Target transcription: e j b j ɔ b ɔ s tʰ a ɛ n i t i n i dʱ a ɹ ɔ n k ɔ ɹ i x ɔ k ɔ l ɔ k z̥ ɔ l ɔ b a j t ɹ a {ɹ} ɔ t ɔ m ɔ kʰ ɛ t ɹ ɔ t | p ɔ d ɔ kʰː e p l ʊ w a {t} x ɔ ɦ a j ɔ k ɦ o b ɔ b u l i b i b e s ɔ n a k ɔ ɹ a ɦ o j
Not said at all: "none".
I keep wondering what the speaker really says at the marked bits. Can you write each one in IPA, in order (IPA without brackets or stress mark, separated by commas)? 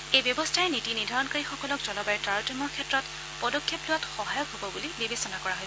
ɹ, t